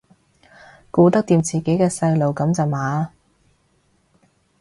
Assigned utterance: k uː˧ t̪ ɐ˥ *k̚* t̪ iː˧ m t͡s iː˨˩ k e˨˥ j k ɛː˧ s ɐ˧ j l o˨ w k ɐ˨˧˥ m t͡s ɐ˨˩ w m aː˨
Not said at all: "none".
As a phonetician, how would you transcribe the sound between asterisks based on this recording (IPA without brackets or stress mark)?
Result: k̚